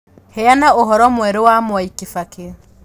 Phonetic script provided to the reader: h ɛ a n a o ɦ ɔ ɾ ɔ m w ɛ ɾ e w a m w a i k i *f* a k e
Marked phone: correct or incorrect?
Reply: correct